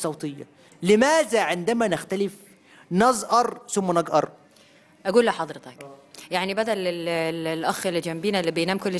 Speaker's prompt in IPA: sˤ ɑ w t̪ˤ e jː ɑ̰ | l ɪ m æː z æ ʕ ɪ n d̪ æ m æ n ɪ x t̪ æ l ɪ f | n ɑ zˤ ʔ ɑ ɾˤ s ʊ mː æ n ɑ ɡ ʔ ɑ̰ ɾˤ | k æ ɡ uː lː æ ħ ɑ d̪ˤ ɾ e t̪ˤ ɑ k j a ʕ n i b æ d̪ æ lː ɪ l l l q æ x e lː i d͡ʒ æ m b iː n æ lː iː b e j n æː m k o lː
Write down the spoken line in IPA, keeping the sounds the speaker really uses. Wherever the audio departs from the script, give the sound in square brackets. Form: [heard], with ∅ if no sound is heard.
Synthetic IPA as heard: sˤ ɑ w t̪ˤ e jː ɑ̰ | l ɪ m æː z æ ʕ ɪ n d̪ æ m æ n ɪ x t̪ æ l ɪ f | n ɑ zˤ ʔ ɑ ɾˤ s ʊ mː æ n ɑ ɡ ʔ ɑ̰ ɾˤ | [ʔ] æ ɡ uː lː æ ħ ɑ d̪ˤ ɾ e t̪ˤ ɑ k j a ʕ n i b æ d̪ æ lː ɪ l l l [ʔ] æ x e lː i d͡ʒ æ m b iː n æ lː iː b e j n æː m k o lː